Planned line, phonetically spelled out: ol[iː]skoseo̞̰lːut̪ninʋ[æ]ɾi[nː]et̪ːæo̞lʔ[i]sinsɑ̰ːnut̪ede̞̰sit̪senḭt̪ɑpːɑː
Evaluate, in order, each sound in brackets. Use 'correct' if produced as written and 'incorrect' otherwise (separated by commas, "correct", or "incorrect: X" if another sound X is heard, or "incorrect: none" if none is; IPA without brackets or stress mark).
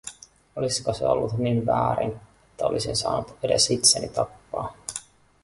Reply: incorrect: i, incorrect: æː, incorrect: n, correct